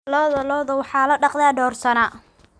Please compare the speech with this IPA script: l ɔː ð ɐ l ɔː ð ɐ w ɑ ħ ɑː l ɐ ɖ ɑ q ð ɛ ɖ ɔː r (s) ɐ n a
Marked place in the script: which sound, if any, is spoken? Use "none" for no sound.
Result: s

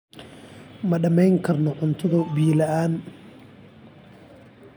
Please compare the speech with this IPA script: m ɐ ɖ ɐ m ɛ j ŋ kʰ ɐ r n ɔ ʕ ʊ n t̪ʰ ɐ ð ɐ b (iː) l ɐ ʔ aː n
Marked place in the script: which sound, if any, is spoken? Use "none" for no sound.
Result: iː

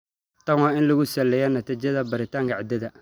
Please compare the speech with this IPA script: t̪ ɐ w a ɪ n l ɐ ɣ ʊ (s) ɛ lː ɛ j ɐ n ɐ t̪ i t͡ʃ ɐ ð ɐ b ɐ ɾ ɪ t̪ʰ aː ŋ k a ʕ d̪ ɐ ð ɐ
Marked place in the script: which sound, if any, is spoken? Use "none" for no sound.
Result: s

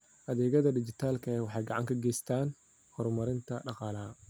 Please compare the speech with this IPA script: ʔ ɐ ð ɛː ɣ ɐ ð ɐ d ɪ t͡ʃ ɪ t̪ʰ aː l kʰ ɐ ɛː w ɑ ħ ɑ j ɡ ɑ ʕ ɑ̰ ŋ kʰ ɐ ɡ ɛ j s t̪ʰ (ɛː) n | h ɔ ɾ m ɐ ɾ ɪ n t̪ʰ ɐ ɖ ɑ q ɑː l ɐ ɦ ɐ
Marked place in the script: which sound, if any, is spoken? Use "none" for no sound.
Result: aː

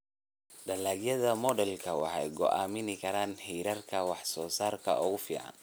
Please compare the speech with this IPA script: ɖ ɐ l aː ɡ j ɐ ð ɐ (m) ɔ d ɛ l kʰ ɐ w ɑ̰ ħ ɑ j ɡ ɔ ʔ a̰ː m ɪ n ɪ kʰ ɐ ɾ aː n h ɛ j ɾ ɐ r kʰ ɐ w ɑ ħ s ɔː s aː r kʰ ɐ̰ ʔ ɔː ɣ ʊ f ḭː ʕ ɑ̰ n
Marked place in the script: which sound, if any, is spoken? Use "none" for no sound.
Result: m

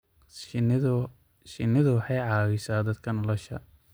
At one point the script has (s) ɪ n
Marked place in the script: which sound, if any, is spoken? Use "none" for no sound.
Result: ʃ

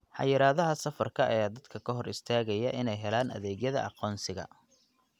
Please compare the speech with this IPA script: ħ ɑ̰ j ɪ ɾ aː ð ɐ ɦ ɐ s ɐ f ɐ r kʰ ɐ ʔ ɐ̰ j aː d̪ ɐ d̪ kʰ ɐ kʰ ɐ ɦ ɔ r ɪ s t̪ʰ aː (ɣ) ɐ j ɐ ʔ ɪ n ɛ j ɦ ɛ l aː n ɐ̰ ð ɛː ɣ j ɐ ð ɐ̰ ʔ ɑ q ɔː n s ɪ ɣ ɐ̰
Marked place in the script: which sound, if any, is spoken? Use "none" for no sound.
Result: ɣ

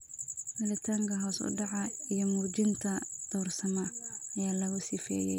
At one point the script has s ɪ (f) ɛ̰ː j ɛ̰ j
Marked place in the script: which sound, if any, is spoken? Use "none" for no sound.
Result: f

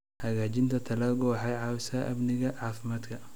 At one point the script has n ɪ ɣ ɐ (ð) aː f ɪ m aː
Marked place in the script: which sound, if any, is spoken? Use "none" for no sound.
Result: ʕ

